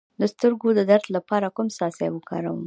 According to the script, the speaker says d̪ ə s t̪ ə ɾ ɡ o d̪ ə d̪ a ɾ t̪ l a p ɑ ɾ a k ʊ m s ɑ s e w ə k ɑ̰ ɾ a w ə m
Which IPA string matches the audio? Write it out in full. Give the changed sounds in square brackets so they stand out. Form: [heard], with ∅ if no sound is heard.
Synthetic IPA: d̪ ə s t̪ ə ɾ ɡ o d̪ ə d̪ a ɾ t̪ l a p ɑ ɾ a k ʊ m s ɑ s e w ə k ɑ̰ ɾ a w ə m